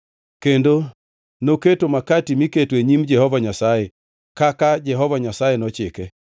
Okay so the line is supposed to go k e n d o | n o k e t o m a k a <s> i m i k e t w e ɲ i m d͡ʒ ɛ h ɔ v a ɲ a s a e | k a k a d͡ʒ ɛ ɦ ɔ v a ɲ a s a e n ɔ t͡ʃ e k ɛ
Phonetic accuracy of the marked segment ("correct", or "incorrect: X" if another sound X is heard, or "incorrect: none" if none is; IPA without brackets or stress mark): incorrect: t